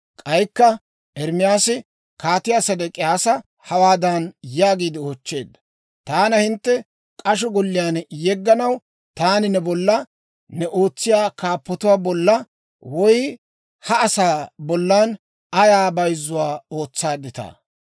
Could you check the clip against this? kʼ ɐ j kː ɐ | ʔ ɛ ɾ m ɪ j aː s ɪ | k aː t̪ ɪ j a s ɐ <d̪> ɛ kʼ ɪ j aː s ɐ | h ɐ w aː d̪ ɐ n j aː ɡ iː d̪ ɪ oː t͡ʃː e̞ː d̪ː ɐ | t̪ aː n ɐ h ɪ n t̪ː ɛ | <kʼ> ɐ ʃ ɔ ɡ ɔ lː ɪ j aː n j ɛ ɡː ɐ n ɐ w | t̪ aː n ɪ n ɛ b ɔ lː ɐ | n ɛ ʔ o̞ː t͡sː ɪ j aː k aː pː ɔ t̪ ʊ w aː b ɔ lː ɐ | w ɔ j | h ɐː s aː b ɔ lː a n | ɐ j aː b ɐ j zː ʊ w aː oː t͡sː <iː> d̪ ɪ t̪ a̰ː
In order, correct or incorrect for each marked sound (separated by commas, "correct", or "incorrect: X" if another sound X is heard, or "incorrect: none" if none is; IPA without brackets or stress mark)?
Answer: correct, correct, incorrect: aː